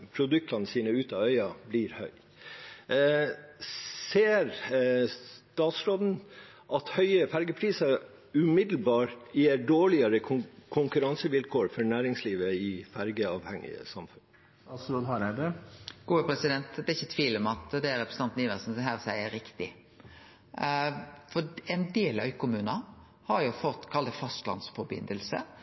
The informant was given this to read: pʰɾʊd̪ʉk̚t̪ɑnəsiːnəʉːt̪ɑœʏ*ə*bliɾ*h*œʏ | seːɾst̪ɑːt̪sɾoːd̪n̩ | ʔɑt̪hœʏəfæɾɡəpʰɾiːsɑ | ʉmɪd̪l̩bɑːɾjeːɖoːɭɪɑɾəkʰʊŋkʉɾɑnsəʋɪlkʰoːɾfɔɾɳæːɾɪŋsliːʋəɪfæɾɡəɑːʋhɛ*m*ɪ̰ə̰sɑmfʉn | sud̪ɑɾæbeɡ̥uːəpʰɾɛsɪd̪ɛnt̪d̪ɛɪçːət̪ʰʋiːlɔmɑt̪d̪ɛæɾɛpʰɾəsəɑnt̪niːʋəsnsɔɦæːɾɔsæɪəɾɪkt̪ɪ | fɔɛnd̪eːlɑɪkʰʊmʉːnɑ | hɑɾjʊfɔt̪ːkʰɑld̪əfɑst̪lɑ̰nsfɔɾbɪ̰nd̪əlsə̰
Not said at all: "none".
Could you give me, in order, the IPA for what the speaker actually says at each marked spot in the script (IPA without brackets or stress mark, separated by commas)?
ɑ, h, ŋ